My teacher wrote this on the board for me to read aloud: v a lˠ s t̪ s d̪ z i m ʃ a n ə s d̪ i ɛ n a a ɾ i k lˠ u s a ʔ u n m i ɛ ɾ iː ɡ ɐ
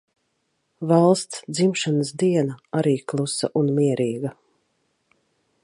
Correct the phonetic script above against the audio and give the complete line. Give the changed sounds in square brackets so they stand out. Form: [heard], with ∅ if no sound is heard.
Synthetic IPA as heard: v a lˠ s t̪ s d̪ z i m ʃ a n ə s d̪ i ɛ n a a ɾ [iː] k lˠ u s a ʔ u n m i ɛ ɾ iː ɡ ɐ